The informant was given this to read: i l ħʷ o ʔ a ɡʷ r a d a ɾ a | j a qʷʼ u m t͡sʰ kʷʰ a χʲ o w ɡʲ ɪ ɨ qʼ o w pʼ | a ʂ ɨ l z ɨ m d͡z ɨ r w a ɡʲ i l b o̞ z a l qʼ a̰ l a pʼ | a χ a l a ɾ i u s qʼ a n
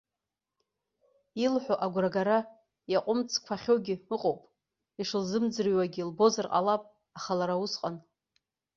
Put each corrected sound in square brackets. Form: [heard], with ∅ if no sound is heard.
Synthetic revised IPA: i l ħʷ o ʔ a ɡʷ r a [ɡ] a ɾ a | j a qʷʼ [ʊ] m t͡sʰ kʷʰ a χʲ o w ɡʲ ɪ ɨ qʼ o w pʼ | [i] ʂ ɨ l z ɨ m d͡z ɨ r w a ɡʲ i l b o̞ z a [r] qʼ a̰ l a pʼ | a χ a l a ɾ [a] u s qʼ a n